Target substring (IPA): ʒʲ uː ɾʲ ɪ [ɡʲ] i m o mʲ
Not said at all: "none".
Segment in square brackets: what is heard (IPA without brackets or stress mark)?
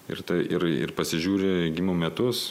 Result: ɡʲ